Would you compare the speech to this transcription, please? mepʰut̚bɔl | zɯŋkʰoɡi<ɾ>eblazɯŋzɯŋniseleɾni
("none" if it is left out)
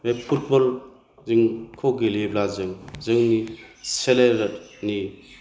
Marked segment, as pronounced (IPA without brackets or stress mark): l